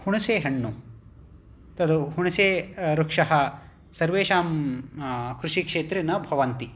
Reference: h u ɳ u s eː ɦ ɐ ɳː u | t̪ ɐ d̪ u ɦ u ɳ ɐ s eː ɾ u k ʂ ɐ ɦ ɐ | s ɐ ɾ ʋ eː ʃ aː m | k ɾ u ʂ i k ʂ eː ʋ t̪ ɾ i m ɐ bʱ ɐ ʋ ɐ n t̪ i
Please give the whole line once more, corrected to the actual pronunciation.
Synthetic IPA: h u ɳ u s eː ɦ ɐ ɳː u | t̪ ɐ d̪ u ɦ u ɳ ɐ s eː ɾ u k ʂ ɐ ɦ ɐ | s ɐ ɾ ʋ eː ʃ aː m | k ɾ u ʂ i k ʂ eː t̪ ɾ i n ɐ bʱ ɐ ʋ ɐ n t̪ i

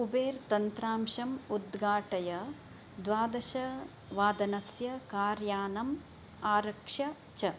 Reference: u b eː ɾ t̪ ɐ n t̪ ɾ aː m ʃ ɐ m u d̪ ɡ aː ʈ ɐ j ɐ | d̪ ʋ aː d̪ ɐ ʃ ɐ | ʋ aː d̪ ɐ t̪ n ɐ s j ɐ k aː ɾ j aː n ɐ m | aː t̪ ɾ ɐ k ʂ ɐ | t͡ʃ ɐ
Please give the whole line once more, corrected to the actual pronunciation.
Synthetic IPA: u b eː ɾ t̪ ɐ n t̪ ɾ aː m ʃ ɐ m u d̪ ɡ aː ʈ ɐ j ɐ | d̪ ʋ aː d̪ ɐ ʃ ɐ | ʋ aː d̪ ɐ n ɐ s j ɐ k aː ɾ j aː n ɐ m | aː ɾ ɐ k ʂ ɐ | t͡ʃ ɐ

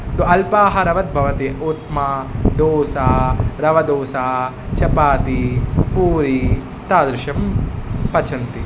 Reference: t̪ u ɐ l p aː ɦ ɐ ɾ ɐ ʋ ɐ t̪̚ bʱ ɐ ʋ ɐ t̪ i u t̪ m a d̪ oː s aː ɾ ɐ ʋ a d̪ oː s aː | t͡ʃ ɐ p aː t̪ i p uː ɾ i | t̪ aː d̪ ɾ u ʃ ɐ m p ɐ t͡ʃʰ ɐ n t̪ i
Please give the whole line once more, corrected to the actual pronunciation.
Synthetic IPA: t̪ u ɐ l p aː ɦ ɐ ɾ ɐ ʋ ɐ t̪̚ bʱ ɐ ʋ ɐ t̪ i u t̪ m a d̪ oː s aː ɾ ɐ ʋ ɐ d̪ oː s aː | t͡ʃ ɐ p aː t̪ i p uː ɾ i | t̪ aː d̪ ɾ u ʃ ɐ m p ɐ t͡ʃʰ ɐ n t̪ i

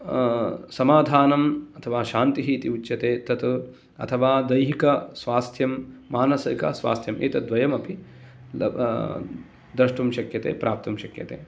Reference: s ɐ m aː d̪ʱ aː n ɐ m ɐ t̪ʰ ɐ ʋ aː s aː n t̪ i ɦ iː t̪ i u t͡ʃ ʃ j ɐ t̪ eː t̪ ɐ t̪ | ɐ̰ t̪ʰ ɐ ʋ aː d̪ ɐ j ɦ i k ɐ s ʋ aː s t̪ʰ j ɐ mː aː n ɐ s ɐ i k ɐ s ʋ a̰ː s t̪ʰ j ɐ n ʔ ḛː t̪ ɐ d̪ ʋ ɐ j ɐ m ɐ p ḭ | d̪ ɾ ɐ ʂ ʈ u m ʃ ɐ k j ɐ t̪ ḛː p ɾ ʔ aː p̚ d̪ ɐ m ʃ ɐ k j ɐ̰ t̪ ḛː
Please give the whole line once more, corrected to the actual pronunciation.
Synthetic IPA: s ɐ m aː d̪ʱ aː n ɐ m ɐ t̪ʰ ɐ ʋ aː ʃ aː n t̪ i ɦ iː t̪ i u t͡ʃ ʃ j ɐ t̪ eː t̪ ɐ t̪ | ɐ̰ t̪ʰ ɐ ʋ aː d̪ ɐ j ɦ i k ɐ s ʋ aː s t̪ʰ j ɐ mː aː n ɐ s ɐ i k ɐ s ʋ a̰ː s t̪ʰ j ɐ m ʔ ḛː t̪ ɐ d̪ ʋ ɐ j ɐ m ɐ p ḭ | d̪ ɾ ɐ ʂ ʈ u m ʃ ɐ k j ɐ t̪ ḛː p ɾ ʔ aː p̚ t̪ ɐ m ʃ ɐ k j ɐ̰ t̪ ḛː

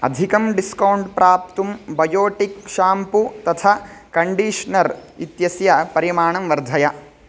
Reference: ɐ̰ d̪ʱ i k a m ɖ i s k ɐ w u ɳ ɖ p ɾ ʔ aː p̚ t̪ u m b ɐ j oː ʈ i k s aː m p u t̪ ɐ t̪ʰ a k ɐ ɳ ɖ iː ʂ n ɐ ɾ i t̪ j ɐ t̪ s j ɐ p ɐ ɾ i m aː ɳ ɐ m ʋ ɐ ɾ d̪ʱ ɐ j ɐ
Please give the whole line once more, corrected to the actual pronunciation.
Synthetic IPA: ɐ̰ d̪ʱ i k ɐ m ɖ i s k ɐ w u ɳ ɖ p ɾ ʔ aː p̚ t̪ u m b ɐ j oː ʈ i k ʃ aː m p u t̪ ɐ t̪ʰ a k ɐ ɳ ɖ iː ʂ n ɐ ɾ i t̪ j ɐ s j ɐ p ɐ ɾ i m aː ɳ ɐ m ʋ ɐ ɾ d̪ʱ ɐ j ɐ

